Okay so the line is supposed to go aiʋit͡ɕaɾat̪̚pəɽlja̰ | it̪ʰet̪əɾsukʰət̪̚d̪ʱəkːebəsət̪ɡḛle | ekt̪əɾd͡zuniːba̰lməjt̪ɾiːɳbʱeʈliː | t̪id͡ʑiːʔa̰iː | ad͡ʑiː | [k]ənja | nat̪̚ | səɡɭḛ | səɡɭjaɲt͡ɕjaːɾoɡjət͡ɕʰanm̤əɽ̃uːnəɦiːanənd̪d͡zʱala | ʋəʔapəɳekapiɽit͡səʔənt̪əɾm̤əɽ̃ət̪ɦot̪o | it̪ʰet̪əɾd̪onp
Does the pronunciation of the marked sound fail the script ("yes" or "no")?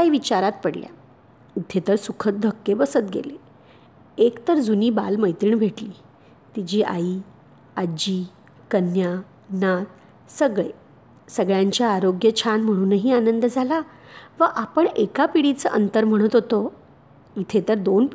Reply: no